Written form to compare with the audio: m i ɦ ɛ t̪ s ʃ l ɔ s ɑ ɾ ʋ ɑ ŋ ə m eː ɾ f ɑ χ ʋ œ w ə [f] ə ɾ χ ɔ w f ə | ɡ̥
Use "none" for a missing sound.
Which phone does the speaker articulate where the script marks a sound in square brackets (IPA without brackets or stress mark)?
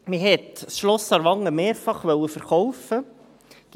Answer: f